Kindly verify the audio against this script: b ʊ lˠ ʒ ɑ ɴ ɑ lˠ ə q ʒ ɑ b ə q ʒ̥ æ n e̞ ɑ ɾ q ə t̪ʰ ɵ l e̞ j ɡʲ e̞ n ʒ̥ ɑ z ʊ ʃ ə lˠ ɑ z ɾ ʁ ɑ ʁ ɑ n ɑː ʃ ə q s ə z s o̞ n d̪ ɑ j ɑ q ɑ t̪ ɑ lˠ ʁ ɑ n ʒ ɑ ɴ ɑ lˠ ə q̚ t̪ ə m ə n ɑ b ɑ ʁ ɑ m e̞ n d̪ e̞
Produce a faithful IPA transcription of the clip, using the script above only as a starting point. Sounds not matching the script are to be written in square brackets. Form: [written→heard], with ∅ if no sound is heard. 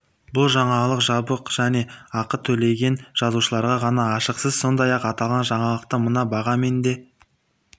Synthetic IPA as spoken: b ʊ lˠ ʒ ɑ ɴ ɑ lˠ ə q ʒ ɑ b ə q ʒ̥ æ n e̞ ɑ [ɾ→∅] q ə t̪ʰ ɵ l e̞ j ɡʲ e̞ n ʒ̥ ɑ z [ʊ→u] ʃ ə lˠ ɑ [z→∅] ɾ ʁ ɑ ʁ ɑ n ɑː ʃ ə q s ə z s o̞ n d̪ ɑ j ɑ q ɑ t̪ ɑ lˠ ʁ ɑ n ʒ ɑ ɴ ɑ lˠ ə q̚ t̪ ə m ə n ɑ b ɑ ʁ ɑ m e̞ n d̪ e̞